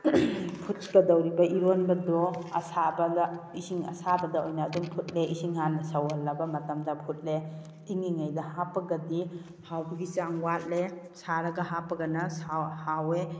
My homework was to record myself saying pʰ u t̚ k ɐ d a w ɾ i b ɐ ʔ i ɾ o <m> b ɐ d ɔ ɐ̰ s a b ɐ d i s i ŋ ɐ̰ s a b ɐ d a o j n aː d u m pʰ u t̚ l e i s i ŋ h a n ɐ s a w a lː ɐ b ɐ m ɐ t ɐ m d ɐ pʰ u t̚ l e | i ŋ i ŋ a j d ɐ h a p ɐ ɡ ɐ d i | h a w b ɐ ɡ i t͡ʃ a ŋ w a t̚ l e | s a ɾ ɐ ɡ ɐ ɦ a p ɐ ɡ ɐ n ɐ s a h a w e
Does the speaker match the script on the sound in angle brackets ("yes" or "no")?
no